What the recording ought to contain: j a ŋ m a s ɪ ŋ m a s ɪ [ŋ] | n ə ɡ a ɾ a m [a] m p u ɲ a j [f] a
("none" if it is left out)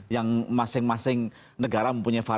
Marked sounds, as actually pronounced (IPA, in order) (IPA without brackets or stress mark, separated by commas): ŋ, ə, f